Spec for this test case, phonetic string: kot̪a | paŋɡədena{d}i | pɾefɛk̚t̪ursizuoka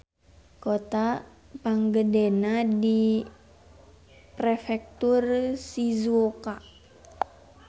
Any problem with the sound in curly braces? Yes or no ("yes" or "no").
no